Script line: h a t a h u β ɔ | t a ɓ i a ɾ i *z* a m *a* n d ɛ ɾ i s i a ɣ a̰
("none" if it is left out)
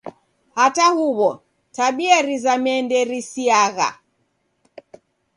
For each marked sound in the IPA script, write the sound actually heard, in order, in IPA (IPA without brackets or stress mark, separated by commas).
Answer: z, ɛ